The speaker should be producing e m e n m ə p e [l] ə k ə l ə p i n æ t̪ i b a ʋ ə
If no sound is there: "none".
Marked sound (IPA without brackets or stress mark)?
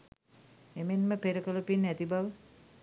ɾ